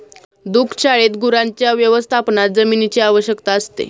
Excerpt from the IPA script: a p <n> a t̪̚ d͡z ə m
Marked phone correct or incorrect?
correct